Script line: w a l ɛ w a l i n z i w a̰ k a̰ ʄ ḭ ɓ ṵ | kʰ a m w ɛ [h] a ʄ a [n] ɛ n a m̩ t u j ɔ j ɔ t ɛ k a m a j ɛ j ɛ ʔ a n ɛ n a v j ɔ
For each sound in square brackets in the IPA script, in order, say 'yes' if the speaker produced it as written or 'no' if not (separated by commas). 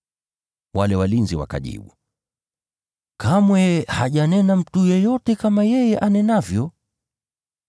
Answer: yes, yes